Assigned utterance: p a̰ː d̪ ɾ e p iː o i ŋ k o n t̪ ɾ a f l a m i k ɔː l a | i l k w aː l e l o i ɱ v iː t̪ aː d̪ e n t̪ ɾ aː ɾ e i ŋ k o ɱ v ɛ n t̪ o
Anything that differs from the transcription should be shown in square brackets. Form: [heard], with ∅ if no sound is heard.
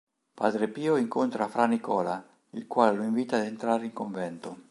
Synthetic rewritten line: p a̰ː d̪ ɾ e p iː o i ŋ k o n t̪ ɾ a f [ɾ] a [n] i k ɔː l a | i l k w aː l e l o i ɱ v iː t̪ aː d̪ e n t̪ ɾ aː ɾ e i ŋ k o ɱ v ɛ n t̪ o